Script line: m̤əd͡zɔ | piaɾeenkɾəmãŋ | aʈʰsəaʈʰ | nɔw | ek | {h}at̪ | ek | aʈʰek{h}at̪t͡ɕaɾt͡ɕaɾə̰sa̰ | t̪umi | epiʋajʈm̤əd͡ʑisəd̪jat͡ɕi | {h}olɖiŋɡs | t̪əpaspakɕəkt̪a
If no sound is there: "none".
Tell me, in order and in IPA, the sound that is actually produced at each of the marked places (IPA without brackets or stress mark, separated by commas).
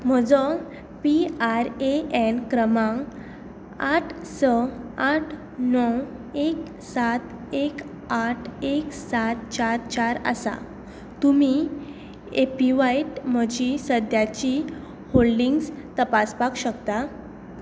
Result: s, s, h